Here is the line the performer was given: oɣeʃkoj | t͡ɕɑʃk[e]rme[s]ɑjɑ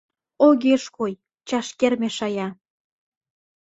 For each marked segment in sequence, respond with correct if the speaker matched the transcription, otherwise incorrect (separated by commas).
correct, incorrect